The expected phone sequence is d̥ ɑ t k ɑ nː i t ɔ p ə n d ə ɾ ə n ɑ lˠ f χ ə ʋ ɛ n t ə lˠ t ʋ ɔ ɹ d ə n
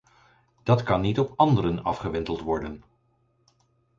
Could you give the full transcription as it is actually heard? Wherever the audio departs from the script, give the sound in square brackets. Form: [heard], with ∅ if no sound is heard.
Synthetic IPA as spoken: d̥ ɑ t k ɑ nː i t ɔ p [ɑ] n d ə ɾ ə n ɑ [∅] f χ ə ʋ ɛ n t ə lˠ t ʋ ɔ ɹ d ə n